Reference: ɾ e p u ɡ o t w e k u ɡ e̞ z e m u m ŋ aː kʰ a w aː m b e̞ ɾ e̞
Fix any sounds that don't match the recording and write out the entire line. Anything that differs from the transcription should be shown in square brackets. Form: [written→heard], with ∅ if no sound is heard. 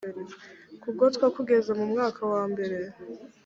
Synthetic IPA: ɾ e [p→k] u ɡ o t w [e→a] k u ɡ e̞ z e m u m ŋ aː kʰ a w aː m b e̞ ɾ e̞